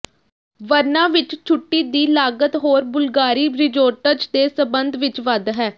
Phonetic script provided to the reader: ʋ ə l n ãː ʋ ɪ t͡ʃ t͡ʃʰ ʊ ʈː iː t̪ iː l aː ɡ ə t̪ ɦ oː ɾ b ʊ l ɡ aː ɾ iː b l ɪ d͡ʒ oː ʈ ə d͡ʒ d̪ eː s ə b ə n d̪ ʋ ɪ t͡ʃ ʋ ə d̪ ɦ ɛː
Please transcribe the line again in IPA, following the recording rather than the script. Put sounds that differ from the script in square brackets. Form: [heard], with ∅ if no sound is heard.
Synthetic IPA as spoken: ʋ ə [ɾ] n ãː ʋ ɪ t͡ʃ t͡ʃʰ ʊ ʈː iː [d̪] iː l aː ɡ ə t̪ ɦ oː ɾ b ʊ l ɡ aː ɾ iː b [ɾ] ɪ d͡ʒ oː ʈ ə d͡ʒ d̪ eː s ə b ə n d̪ ʋ ɪ t͡ʃ ʋ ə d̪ ɦ ɛː